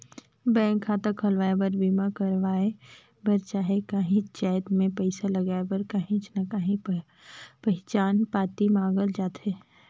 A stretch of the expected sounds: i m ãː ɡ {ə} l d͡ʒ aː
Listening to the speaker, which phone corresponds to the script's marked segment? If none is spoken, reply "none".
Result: ə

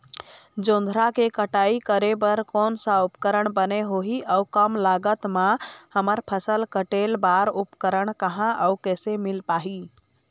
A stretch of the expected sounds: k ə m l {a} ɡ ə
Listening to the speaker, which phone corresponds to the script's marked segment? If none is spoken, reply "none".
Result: a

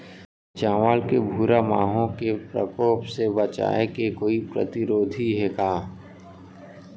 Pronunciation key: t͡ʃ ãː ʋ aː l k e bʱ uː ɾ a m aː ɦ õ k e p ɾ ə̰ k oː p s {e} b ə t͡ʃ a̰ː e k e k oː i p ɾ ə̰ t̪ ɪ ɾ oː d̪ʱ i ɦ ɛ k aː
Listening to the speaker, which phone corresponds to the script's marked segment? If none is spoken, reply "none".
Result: e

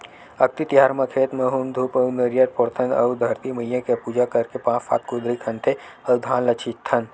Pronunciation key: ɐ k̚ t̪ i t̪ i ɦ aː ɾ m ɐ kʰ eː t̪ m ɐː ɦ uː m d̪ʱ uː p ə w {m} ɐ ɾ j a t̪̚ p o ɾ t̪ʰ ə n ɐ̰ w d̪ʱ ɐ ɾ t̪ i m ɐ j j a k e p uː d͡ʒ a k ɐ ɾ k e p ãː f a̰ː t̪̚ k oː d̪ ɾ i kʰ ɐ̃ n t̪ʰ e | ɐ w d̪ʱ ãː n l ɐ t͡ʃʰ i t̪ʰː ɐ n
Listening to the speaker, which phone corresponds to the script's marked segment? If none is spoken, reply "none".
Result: n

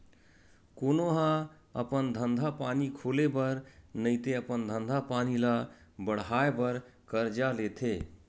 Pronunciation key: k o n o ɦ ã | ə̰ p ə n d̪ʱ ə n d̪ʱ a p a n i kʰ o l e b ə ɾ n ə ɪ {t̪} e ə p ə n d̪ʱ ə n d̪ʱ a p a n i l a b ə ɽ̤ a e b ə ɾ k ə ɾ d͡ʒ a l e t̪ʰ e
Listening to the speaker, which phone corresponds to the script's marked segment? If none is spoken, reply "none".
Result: t̪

